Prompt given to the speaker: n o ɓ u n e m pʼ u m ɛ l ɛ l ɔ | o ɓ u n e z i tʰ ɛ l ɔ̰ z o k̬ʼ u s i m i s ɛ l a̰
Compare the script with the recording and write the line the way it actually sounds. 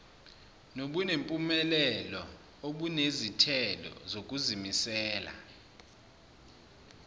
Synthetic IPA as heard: n o ɓ u n e m pʼ u m ɛ l ɛ l ɔ | o ɓ u n e z i tʰ ɛ l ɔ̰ z o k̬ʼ u z i m i s ɛː l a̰